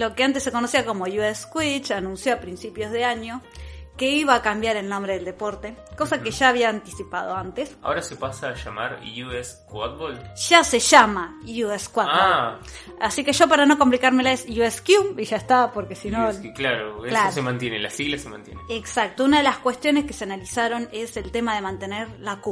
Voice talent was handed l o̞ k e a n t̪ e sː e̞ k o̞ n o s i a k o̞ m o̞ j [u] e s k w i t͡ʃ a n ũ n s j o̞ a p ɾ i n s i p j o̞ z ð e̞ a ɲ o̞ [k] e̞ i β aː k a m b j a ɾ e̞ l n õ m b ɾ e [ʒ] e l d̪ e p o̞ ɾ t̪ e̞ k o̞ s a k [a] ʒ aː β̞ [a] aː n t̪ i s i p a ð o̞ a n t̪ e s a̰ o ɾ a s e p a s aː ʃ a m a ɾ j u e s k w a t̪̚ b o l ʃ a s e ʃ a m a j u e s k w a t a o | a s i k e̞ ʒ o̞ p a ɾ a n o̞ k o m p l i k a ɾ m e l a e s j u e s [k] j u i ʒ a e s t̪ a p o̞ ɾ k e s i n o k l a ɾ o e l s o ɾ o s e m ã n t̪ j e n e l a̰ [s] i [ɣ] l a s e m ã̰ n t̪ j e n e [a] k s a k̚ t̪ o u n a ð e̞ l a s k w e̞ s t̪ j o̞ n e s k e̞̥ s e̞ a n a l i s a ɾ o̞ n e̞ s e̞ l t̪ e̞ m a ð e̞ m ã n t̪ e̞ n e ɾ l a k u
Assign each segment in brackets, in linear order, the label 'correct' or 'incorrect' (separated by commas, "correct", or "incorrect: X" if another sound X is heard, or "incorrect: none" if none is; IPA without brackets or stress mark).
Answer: correct, correct, incorrect: ð, incorrect: e, incorrect: i, correct, correct, correct, incorrect: e